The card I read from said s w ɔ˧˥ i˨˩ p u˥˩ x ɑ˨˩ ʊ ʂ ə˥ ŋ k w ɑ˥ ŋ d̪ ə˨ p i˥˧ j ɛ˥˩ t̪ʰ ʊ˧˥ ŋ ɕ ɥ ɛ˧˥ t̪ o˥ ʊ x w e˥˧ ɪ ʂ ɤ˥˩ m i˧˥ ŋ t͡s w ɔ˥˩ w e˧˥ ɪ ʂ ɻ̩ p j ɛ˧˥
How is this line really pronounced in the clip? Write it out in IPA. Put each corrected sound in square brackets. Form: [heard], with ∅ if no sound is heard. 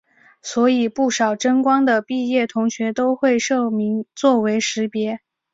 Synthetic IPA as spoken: s w ɔ˧˥ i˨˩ p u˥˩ [ʂ] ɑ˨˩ ʊ [ʈ͡ʂ] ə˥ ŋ k w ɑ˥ ŋ d̪ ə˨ p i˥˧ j ɛ˥˩ t̪ʰ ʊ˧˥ ŋ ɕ ɥ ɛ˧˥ t̪ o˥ ʊ x w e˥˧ ɪ ʂ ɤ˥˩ m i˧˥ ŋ t͡s w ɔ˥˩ w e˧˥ ɪ ʂ ɻ̩ p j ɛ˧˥